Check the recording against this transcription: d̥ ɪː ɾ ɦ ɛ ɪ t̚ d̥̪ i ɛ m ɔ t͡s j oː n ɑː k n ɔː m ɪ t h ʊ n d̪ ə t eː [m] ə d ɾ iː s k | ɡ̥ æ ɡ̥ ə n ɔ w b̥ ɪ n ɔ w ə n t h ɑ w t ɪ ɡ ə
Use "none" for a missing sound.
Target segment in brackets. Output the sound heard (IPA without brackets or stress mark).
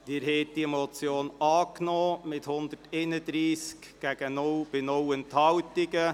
n